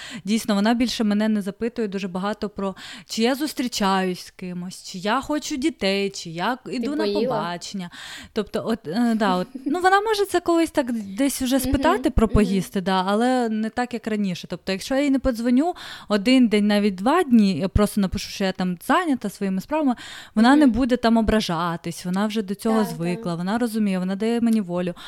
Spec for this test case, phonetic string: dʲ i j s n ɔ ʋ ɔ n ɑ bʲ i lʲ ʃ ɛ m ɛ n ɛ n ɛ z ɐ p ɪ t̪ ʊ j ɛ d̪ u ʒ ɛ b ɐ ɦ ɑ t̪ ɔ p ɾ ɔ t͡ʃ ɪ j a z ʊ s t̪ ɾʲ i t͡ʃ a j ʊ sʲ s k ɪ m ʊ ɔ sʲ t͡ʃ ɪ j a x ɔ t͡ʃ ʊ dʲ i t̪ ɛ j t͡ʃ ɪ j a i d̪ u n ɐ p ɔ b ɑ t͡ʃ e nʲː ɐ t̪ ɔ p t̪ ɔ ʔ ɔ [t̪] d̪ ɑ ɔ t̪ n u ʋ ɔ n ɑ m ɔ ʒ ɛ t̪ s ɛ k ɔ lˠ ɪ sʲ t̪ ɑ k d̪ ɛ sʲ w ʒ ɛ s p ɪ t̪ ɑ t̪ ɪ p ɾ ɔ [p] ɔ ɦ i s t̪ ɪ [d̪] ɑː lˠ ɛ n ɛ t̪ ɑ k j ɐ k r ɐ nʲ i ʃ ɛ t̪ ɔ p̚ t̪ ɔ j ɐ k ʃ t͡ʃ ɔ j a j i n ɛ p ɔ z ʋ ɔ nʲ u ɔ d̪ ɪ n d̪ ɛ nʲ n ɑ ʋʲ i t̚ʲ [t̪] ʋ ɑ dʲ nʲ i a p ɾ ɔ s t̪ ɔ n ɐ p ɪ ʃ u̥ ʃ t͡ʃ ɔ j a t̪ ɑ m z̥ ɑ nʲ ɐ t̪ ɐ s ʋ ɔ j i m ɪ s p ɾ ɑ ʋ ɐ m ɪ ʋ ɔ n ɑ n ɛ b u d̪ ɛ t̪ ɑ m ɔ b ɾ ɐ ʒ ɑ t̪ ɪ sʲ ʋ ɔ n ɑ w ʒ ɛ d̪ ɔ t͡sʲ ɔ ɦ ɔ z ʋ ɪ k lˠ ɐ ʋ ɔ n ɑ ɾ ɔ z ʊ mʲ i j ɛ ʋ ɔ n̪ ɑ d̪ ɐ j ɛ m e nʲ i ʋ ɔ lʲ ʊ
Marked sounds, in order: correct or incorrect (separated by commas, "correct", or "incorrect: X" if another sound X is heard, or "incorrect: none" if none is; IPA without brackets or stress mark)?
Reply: correct, correct, correct, incorrect: d̪